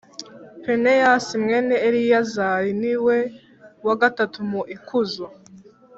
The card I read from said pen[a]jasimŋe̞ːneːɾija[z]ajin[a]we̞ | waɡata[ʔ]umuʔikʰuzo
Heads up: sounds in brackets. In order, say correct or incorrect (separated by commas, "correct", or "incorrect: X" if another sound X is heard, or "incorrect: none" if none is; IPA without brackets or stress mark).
incorrect: e, correct, incorrect: i, incorrect: t